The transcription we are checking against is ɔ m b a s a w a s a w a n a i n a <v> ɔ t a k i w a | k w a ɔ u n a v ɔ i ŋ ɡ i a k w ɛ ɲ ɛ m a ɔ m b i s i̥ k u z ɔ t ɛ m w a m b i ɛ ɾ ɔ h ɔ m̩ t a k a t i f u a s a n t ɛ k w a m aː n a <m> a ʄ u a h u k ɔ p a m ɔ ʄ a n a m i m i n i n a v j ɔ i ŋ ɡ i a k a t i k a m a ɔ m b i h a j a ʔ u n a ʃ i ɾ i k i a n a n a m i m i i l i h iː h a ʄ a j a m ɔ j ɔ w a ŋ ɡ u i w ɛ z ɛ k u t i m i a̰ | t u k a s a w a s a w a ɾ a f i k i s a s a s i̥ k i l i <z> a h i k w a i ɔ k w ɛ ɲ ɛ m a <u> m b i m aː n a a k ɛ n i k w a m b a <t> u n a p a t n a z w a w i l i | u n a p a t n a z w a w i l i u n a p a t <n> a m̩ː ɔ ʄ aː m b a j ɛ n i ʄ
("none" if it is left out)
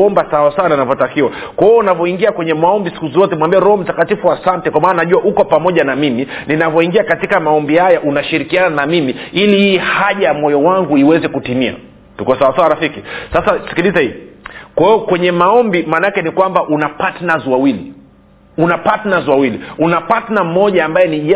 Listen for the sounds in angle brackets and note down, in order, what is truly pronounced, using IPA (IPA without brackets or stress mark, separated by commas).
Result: v, n, z, ɔ, ʔ, n